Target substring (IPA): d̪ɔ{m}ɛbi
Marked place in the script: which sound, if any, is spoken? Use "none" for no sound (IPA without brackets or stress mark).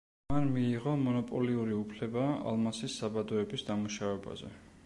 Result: none